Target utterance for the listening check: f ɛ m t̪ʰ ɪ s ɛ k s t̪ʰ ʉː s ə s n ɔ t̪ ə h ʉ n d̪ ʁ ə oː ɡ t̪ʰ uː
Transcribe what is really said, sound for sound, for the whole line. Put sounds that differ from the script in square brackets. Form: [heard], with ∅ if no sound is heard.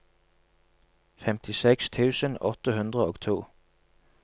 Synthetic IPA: f ɛ m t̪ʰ ɪ s ɛ k s t̪ʰ ʉː s ə [∅] n ɔ t̪ ə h ʉ n d̪ ʁ ə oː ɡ t̪ʰ uː